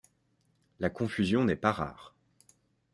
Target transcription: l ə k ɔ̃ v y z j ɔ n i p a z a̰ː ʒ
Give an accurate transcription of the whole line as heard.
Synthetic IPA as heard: l a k ɔ̃ f y z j ɔ̃ n ɛ p a ʁ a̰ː ʁ